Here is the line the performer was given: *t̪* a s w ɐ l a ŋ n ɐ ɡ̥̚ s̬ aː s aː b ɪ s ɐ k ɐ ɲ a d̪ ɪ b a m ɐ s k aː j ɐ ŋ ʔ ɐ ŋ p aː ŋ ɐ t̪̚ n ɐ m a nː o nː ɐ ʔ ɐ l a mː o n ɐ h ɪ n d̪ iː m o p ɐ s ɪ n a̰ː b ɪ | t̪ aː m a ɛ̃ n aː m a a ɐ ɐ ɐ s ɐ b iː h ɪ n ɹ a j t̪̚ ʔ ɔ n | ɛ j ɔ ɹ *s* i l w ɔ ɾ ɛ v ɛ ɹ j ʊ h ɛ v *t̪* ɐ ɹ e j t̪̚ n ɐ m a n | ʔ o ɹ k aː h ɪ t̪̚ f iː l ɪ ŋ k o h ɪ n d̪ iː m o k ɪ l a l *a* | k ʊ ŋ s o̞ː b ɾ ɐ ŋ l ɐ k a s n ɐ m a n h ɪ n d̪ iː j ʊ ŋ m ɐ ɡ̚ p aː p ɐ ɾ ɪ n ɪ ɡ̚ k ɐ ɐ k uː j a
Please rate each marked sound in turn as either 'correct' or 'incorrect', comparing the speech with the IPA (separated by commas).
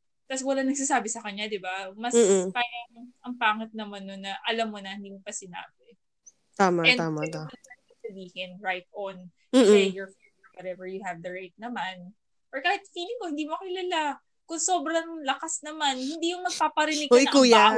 correct, incorrect, incorrect, correct